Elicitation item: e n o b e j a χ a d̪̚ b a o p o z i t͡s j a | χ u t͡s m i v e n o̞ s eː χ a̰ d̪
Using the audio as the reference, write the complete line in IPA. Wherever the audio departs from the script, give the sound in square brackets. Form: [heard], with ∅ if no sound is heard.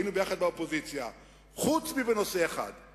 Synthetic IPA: [i] n [u] b e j a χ a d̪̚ b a o p o z i t͡s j a | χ u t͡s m i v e n o̞ s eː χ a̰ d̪

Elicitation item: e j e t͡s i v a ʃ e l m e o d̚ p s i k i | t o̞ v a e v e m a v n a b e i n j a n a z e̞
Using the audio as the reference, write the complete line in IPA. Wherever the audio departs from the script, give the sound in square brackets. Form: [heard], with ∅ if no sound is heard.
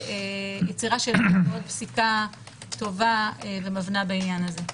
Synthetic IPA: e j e t͡s i [ʁ] a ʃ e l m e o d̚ p s i k [a] | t o̞ v a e v e m a v n a b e i n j a n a z e̞

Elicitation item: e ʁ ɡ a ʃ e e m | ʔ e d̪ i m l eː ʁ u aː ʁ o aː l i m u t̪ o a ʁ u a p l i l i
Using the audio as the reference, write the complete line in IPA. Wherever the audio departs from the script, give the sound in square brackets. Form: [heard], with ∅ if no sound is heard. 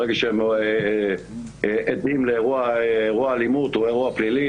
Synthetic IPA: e [∅] ɡ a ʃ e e m | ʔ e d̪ i m l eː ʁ u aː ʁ [u] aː l i m u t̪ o [e] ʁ u a p l i l i

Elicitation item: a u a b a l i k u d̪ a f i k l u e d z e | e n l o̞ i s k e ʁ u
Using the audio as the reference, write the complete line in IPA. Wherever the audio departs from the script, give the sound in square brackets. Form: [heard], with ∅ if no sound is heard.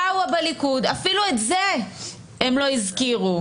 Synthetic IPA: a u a b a l i k u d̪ a f i [∅] l u e [t] z e | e [m] l o̞ i [z] k [i] ʁ u

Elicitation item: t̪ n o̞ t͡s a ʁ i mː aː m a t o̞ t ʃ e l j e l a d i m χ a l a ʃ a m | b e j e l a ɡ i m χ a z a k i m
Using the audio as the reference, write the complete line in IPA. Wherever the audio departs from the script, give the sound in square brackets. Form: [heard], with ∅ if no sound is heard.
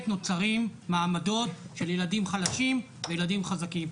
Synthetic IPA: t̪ n o̞ t͡s a ʁ i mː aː m a [d] o̞ t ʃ e l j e l a d i m χ a l a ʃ [i] m | [v] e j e l a [d] i m χ a z a k i m

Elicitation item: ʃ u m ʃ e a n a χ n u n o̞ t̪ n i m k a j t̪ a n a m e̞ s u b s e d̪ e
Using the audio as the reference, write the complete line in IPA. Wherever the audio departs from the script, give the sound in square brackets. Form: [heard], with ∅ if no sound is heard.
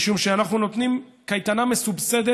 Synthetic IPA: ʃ u m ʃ e a n a χ n u n o̞ t̪ n i m k a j t̪ a n a m e̞ s u b s e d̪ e

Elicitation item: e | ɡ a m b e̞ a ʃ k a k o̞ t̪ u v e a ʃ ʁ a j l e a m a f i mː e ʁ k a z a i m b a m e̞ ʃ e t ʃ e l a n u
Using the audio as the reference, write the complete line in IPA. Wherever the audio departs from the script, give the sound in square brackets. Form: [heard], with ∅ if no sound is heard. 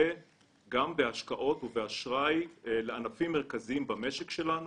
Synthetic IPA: e | ɡ a m b e̞ a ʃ k a [ʔ] o̞ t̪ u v e a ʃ ʁ a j l e a [n] a f i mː e ʁ k a z [i] i m b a m e̞ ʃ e [k] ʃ e l a n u

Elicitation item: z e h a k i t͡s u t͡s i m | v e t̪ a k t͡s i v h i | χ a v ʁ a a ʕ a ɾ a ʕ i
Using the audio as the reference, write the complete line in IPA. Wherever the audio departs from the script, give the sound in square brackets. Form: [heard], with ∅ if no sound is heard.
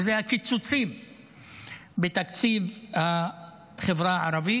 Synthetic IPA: z e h a k i t͡s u t͡s i m | [b] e t̪ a k t͡s i v h [a] | χ [e] v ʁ a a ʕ a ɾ a [v] i

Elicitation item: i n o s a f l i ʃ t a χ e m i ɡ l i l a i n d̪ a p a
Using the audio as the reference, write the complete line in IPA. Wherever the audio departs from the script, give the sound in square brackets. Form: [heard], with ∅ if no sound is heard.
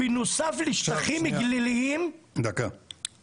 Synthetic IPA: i n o s a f l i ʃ t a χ [i] m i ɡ l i l [i] i [m] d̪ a [k] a

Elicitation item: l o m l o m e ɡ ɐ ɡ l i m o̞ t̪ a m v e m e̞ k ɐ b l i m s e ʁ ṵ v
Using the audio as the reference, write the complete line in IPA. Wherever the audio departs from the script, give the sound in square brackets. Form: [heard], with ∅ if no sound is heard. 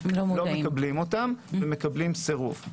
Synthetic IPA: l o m l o m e [k] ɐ [b] l i m o̞ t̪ a m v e m e̞ k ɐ b l i m s e ʁ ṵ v

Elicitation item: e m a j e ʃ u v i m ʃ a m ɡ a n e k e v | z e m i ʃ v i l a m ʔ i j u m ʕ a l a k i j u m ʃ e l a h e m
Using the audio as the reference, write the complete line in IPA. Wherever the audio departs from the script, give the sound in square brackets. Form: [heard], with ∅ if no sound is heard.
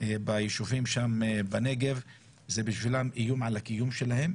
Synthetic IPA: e [b] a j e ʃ u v i m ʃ a m [b] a n e [ɡ] e v | z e [b] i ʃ v i l a m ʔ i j u m ʕ a l a k i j u m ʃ e l a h e m

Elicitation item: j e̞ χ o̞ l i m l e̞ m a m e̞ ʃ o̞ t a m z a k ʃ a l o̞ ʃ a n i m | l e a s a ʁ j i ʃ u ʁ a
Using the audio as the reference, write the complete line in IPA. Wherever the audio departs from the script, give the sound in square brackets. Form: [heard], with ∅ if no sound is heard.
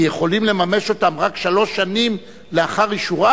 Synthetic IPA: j e̞ χ o̞ l i m l e̞ m a m e̞ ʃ o̞ t a m [ʁ] a k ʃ a l o̞ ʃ a n i m | l e a [χ] a ʁ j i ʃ u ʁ a

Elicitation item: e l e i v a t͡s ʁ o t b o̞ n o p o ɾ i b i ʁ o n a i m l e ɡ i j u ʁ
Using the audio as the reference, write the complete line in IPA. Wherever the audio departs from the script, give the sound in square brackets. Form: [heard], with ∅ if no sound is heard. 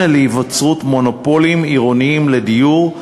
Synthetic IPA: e l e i v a t͡s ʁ [u] t [m] o̞ n o p o [l] i [m] i ʁ o n [i] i m l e [d] i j u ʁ

